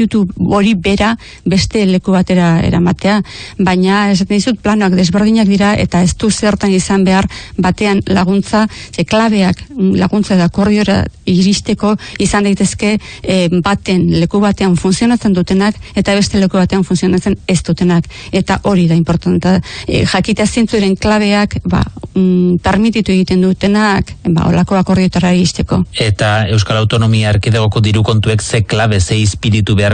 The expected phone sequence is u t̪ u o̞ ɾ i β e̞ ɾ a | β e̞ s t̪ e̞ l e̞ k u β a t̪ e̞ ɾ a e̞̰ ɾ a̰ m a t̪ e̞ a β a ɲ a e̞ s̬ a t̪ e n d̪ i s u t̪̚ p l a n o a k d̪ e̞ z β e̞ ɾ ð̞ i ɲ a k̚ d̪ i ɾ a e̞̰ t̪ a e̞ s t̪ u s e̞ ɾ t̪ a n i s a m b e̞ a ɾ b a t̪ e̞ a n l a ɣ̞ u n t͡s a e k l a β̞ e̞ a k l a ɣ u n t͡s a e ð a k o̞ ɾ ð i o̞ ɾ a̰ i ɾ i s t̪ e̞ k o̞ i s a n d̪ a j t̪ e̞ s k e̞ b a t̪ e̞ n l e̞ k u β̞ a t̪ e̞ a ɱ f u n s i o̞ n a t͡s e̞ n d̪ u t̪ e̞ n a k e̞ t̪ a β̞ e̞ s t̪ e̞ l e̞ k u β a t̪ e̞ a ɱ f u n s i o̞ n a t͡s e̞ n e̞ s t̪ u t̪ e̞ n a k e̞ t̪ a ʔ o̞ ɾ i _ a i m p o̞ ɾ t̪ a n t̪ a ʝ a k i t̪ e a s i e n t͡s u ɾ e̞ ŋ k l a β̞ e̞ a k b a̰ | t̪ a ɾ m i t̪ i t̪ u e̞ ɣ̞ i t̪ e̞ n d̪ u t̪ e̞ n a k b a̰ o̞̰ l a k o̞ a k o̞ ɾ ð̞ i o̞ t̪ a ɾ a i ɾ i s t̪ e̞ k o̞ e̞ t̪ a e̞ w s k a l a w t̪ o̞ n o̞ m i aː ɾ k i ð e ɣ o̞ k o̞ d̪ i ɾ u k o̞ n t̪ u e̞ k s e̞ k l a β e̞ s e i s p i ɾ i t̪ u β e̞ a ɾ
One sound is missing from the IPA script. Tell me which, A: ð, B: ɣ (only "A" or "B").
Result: A